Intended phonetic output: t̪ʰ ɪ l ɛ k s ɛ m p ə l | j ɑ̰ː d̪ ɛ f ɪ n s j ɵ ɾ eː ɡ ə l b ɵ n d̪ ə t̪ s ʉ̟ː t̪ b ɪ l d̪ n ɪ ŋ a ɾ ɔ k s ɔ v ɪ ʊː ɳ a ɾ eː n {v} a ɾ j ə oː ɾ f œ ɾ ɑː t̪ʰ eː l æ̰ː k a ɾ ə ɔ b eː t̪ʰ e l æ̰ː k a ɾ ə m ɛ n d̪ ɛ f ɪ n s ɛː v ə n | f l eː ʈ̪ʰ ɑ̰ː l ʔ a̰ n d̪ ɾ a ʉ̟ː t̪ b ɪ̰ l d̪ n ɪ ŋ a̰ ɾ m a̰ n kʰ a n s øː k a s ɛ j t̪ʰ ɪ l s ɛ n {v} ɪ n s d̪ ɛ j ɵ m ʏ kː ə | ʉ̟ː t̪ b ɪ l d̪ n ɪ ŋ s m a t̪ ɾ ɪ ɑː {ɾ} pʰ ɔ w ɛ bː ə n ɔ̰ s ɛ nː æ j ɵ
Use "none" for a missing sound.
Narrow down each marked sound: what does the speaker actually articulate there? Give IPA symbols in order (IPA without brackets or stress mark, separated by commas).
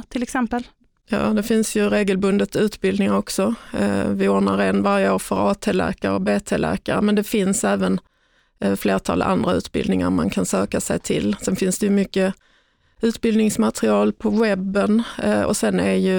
v, f, l